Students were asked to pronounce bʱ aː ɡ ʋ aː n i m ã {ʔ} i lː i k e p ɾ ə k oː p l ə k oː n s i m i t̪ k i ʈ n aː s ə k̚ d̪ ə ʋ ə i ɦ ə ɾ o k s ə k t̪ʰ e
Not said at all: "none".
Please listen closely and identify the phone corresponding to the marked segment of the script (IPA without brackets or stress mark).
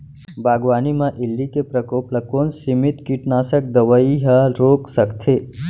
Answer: ʔ